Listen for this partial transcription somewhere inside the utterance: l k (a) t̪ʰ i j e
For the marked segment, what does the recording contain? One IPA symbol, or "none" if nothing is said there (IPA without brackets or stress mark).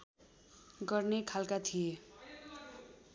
a